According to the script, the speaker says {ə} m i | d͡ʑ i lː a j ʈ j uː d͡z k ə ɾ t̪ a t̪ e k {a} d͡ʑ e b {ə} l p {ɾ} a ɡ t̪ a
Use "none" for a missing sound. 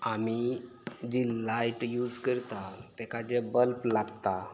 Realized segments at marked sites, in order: a, a, ə, l

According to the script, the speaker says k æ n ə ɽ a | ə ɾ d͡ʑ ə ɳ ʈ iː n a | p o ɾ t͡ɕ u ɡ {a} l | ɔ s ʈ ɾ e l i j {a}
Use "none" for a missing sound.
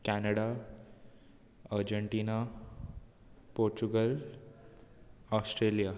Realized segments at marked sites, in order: ə, a

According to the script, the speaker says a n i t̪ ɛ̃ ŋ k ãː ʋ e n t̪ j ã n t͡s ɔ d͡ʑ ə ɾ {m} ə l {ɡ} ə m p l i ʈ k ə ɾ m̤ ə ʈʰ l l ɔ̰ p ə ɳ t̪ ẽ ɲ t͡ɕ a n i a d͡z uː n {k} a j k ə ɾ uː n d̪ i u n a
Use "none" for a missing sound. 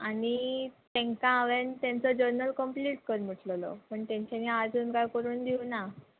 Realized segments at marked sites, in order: n, k, k

